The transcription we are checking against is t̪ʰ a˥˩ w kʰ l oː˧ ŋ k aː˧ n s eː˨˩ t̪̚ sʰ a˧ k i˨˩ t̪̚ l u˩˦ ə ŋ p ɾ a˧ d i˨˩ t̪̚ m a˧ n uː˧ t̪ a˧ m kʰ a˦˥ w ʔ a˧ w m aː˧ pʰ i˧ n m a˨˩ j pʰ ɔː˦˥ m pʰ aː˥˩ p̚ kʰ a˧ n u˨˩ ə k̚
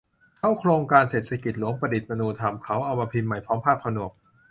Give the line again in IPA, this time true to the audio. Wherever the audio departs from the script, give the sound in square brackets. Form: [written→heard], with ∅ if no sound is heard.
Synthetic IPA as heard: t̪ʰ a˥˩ w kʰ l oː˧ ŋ k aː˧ n s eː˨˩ t̪̚ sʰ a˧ k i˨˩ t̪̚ l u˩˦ ə ŋ p ɾ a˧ d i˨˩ t̪̚ m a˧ n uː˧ [t̪→t̪ʰ] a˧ m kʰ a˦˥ w ʔ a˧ w m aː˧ pʰ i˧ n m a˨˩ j pʰ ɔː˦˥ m pʰ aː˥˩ p̚ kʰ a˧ n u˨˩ ə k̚